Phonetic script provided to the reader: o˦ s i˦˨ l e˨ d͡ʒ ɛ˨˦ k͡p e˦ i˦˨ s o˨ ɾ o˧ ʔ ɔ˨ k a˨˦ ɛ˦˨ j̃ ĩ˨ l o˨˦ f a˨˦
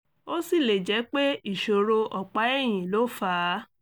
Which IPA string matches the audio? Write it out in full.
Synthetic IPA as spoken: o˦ s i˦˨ l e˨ d͡ʒ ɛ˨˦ k͡p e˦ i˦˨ ʃ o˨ ɾ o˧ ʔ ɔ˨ k͡p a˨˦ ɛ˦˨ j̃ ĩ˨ l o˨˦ f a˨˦